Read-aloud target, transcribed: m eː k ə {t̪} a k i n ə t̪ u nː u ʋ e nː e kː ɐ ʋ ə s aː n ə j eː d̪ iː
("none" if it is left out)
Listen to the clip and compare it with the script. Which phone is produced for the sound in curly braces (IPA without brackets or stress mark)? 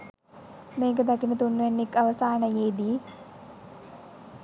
d̪